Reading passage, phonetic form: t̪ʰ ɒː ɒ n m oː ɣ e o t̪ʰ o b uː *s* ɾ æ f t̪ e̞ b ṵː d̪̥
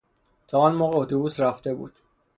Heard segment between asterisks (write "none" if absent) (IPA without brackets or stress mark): s